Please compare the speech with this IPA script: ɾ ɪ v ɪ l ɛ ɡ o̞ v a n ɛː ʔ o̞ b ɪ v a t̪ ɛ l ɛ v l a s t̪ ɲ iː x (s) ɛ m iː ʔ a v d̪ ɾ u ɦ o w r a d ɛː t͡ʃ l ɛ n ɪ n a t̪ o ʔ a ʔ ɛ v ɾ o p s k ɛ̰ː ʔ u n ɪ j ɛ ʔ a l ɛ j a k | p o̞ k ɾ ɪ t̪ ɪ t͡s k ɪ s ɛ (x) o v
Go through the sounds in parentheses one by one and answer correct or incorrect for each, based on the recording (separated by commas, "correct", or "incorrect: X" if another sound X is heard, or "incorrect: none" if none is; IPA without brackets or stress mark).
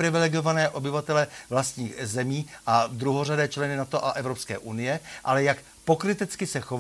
incorrect: z, correct